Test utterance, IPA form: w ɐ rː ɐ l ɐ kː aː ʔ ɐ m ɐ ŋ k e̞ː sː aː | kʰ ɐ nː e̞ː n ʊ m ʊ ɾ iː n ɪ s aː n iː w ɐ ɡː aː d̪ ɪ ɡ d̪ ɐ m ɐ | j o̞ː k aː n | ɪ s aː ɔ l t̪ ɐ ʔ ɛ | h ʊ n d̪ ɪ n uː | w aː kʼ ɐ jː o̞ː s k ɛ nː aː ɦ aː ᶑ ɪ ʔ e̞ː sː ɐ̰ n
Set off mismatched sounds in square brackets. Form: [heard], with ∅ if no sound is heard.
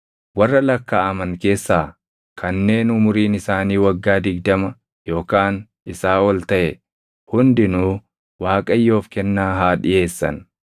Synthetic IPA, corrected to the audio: w ɐ rː ɐ l ɐ kː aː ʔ ɐ m ɐ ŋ k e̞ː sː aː | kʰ ɐ nː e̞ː n ʊ m ʊ ɾ iː n ɪ s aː n iː w ɐ ɡː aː d̪ ɪ ɡ d̪ ɐ m ɐ | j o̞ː k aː n | ɪ s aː ɔ l t̪ ɐ ʔ ɛ | h ʊ n d̪ ɪ n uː | w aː kʼ ɐ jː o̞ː [f] k ɛ nː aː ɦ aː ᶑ ɪ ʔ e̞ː sː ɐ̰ n